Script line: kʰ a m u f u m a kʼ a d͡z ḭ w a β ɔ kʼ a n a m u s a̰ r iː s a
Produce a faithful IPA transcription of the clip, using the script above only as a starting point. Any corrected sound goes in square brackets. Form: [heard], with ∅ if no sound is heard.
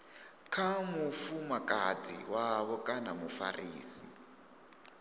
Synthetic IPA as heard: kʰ a m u f u m a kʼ a d͡z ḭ w a β ɔ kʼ a n a m u [f] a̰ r iː s [i]